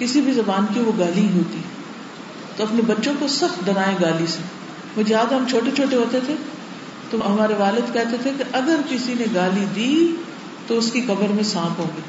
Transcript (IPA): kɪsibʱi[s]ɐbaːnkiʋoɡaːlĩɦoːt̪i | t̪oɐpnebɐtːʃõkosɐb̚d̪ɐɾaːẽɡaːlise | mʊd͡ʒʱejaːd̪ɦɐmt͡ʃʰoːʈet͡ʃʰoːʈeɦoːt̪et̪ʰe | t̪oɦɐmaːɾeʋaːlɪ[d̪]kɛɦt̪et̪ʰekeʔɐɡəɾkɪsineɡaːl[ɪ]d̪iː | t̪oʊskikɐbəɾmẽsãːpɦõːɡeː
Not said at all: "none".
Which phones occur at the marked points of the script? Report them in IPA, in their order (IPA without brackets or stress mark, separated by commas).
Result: z, d̪, i